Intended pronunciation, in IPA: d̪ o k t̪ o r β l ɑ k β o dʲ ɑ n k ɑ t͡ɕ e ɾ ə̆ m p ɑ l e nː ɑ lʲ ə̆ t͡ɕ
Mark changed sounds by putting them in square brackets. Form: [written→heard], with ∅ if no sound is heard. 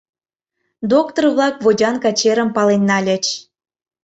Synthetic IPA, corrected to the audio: d̪ o k t̪ o r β l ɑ k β o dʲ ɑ n k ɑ t͡ɕ e ɾ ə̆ m p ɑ l e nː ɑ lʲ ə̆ t͡ɕ